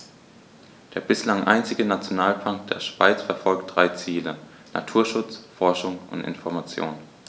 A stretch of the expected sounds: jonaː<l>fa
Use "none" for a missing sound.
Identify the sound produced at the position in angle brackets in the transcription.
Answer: l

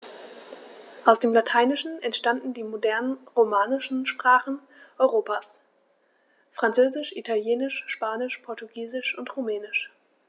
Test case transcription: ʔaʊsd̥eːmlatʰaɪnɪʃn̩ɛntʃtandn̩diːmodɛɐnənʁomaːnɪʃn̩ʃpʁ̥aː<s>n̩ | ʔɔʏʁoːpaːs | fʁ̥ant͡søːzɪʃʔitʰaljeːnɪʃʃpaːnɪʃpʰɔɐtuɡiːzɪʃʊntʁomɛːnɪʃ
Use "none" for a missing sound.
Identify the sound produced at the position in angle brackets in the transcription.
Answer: χ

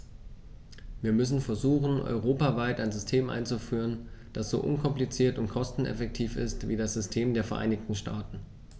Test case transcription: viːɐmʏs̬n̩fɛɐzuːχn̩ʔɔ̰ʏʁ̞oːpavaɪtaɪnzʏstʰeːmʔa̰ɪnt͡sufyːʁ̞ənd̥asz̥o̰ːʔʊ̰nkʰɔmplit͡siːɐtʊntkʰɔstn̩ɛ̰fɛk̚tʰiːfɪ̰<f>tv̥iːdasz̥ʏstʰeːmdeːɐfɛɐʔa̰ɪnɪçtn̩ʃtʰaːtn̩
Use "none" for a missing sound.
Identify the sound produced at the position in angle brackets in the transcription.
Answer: s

